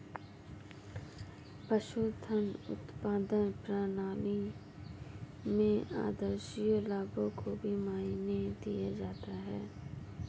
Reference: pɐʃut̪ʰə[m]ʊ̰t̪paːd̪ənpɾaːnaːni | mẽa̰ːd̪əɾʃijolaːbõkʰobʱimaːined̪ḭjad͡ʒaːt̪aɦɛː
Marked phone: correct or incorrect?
incorrect